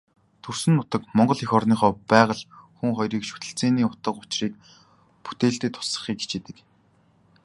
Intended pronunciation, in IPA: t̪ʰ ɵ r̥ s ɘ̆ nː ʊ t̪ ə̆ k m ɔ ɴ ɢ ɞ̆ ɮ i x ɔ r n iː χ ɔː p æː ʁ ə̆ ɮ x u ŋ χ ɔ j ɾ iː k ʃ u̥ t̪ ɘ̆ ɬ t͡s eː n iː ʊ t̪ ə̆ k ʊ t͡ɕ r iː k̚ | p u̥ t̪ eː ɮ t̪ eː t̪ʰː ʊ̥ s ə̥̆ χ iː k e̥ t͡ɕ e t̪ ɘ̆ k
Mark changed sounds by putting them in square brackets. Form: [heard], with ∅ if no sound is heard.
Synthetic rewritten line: t̪ʰ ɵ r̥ s ɘ̆ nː ʊ t̪ ə̆ k m ɔ ɴ ɢ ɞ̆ ɮ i x ɔ r n iː χ ɔː p æː ʁ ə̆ ɮ x u ŋ χ ɔ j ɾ iː k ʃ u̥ t̪ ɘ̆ ɬ t͡s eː n iː ʊ t̪ ə̆ [q] ʊ t͡ɕ r iː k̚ | p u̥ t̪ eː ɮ t̪ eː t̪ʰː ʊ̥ s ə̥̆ χ iː k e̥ t͡ɕ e t̪ ɘ̆ k